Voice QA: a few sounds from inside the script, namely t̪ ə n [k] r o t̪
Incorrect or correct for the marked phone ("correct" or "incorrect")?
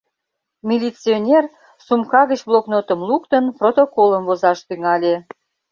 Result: incorrect